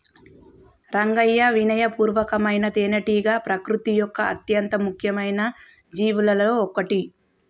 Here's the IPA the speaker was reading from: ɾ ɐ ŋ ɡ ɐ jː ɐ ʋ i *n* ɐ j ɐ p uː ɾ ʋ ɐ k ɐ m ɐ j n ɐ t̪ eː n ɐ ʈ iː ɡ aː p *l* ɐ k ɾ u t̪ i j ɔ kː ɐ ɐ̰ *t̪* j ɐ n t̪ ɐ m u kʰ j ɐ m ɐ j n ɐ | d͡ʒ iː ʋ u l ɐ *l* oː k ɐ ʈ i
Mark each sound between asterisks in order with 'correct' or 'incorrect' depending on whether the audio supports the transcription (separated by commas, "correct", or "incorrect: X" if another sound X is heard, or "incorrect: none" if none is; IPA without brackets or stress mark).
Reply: correct, incorrect: ɾ, correct, correct